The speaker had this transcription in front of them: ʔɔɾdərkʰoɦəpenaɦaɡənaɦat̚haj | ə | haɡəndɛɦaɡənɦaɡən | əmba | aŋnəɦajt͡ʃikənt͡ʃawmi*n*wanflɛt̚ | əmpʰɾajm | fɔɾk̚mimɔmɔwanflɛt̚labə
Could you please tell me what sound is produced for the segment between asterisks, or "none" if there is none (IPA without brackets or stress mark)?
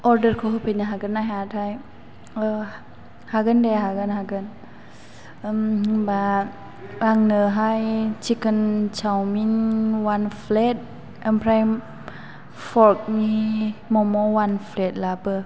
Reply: n